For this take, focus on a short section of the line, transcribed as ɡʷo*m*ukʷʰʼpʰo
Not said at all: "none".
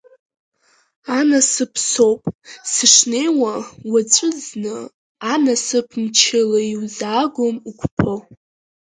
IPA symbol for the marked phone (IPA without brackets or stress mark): m